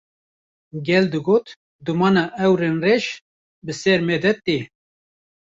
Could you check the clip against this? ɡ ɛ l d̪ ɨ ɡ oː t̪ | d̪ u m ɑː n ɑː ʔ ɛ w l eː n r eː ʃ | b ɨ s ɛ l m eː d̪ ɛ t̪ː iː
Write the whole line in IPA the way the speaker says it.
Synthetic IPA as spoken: ɡ ɛ l d̪ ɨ ɡ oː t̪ | d̪ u m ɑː n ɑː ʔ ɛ w ɾ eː n r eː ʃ | b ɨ s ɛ ɾ m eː d̪ ɛ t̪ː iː